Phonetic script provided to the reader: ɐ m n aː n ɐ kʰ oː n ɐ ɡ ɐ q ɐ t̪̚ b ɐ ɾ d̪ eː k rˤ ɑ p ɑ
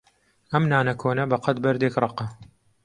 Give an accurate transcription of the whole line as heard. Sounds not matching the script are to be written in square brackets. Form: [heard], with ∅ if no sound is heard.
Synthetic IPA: ɐ m n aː n ɐ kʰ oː n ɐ [b] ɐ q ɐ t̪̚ b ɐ ɾ d̪ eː k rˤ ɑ [q] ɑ